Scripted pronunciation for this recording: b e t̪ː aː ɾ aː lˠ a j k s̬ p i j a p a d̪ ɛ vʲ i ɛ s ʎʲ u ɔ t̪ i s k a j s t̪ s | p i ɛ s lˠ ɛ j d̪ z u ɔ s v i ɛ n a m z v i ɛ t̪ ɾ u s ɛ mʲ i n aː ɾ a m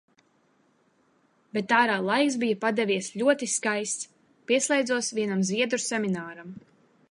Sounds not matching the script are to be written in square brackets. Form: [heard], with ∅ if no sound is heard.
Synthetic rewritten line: b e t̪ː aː ɾ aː lˠ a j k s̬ [b] i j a p a d̪ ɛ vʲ i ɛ s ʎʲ u ɔ t̪ i s k a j s t̪ s | p i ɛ s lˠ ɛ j d̪ z u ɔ s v i ɛ n a m z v i ɛ [d̪] ɾ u s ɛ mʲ i n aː ɾ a m